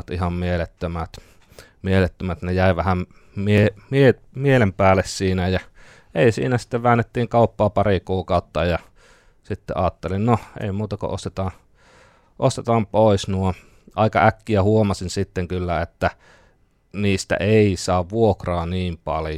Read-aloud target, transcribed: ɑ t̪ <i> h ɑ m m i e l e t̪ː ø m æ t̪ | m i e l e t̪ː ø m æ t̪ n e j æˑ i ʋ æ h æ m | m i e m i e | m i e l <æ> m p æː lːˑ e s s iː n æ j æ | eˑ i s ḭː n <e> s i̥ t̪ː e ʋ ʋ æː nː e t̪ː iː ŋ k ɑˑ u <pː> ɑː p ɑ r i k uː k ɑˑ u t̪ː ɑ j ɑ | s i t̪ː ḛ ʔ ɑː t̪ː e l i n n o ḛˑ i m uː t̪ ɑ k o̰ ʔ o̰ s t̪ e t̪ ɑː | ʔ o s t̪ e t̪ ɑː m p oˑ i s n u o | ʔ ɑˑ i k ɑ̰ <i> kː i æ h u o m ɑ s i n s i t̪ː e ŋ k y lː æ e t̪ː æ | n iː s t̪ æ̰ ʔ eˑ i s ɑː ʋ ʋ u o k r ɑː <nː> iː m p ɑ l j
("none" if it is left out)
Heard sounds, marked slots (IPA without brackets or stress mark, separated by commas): i, e, æ, pː, æ, n